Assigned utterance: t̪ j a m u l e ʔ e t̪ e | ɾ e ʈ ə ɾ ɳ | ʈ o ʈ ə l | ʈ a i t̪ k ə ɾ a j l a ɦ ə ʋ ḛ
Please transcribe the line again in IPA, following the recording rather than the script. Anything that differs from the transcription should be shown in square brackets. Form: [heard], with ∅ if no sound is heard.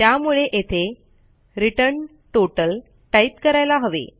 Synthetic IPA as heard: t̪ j a m u [ɭ] e ʔ e [t̪ʰ] e | ɾ [i] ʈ ə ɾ ɳ | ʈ o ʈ ə l | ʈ a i t̪ k ə ɾ a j l a ɦ ə ʋ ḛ